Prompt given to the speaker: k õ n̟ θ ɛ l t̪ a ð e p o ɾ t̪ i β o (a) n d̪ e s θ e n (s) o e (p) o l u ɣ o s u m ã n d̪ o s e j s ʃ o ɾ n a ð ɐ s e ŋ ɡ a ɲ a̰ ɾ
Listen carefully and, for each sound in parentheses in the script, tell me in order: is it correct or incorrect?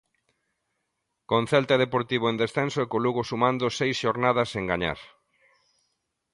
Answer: incorrect, correct, incorrect

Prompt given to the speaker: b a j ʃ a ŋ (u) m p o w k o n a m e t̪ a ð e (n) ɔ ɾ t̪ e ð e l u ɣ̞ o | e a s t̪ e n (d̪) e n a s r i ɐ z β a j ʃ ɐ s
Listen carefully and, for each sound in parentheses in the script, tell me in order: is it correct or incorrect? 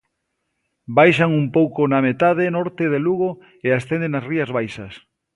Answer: correct, correct, correct

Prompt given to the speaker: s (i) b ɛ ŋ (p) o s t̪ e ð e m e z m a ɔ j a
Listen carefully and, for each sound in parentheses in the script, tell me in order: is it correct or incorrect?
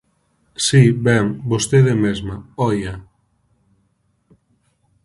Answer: correct, incorrect

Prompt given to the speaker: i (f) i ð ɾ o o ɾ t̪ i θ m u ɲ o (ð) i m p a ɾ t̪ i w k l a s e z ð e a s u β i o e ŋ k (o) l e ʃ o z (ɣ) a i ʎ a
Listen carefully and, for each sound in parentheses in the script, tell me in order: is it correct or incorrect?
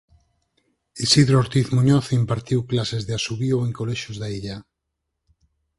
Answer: incorrect, incorrect, correct, incorrect

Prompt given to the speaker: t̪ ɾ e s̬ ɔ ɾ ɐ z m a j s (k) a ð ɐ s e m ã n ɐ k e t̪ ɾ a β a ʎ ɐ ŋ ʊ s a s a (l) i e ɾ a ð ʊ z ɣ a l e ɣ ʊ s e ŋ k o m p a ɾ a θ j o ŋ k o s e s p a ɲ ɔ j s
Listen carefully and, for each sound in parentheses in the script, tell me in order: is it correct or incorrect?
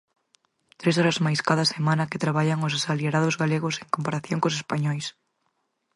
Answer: correct, correct

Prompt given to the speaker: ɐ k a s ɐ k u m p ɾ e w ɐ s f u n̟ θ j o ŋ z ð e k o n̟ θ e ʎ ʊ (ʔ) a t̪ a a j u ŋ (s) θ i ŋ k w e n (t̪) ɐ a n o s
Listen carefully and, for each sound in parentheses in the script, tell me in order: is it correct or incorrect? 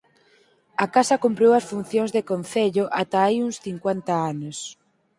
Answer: correct, correct, correct

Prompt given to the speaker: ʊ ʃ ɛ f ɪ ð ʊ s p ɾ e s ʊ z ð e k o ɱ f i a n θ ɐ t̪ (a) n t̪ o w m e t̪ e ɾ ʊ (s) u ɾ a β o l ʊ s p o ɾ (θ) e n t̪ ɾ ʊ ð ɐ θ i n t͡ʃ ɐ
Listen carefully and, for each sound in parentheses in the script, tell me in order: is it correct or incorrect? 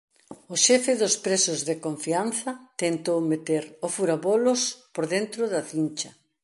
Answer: incorrect, incorrect, incorrect

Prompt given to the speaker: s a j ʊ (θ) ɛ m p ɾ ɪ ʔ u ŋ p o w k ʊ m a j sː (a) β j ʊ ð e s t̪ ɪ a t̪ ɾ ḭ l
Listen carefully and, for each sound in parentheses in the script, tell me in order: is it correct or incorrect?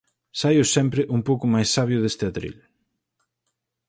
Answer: incorrect, correct

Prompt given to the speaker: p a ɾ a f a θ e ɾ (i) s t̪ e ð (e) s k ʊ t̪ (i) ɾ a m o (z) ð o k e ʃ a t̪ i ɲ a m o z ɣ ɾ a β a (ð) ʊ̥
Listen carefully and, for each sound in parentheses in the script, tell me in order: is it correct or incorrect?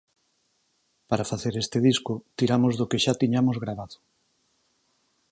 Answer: incorrect, incorrect, correct, correct, correct

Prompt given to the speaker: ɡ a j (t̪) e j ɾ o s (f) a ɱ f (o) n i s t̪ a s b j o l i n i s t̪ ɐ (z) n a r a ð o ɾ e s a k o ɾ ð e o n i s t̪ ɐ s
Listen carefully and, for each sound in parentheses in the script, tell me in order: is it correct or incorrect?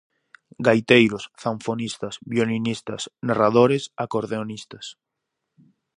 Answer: correct, incorrect, correct, incorrect

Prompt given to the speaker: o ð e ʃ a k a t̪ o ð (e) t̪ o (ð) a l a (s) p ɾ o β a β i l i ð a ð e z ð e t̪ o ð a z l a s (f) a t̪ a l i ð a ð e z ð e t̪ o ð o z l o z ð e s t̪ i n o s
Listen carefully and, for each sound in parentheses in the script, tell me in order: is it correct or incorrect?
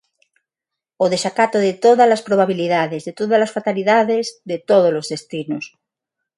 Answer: correct, correct, correct, correct

